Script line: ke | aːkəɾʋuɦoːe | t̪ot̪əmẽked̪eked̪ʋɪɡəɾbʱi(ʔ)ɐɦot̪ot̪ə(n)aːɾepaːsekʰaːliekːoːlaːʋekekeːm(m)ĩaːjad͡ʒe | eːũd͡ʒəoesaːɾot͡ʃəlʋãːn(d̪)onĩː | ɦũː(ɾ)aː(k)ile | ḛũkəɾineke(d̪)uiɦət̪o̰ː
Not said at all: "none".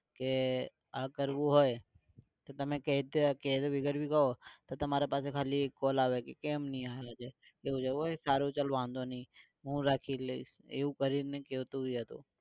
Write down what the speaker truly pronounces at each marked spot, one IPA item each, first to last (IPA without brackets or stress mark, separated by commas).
k, m, n, d̪, ɾ, kʰ, t̪